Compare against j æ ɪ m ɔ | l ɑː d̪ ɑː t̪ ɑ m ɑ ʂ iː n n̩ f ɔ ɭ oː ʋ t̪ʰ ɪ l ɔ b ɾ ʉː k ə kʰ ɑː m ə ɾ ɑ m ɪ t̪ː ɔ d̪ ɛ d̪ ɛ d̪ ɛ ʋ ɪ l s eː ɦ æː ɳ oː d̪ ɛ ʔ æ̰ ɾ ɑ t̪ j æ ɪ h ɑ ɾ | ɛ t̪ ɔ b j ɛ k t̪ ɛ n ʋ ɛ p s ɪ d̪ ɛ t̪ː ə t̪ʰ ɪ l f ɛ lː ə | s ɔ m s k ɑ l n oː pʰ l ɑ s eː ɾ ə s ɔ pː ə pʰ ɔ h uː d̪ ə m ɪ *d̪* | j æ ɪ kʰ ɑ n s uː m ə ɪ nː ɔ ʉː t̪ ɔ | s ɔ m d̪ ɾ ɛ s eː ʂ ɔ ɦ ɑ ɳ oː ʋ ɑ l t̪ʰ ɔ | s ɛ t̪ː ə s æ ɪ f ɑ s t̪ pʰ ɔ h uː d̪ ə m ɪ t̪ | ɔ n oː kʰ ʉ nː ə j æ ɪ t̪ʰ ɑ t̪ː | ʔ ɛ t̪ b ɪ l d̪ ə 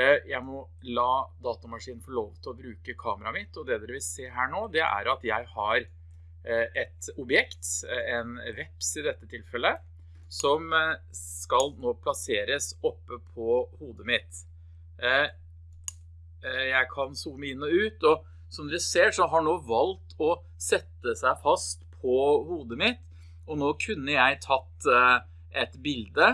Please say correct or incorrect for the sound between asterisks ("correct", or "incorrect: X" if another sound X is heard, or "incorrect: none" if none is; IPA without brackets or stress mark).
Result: incorrect: t̪